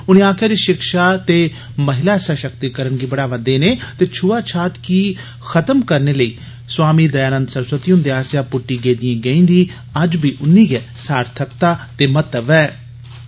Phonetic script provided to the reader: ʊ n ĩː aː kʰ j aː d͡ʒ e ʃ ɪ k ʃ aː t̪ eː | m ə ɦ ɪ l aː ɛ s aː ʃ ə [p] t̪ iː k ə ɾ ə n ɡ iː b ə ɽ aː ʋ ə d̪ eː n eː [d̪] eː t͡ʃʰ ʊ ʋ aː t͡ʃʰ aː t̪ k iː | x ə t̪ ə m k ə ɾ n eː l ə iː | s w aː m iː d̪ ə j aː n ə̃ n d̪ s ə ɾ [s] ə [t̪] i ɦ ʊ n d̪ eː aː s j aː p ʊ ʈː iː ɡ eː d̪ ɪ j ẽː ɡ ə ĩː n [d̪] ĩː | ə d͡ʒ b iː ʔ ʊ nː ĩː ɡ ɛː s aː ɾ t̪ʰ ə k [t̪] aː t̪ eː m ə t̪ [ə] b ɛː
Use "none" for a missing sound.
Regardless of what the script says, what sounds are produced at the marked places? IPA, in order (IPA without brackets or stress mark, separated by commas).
k, t̪, s, t̪, d̪, t̪, ə